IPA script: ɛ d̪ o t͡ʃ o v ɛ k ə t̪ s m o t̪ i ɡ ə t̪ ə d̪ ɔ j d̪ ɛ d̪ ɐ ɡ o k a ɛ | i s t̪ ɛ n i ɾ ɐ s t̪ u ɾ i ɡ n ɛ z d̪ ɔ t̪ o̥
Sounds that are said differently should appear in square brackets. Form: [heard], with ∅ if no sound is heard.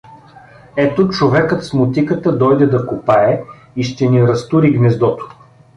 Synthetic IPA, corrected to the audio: ɛ [t̪] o t͡ʃ o v ɛ k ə t̪ s m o t̪ i [k] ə t̪ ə d̪ ɔ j d̪ ɛ d̪ ɐ [k] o [p] a ɛ | i [ʃ] t̪ ɛ n i ɾ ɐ s t̪ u ɾ i ɡ n ɛ z d̪ ɔ t̪ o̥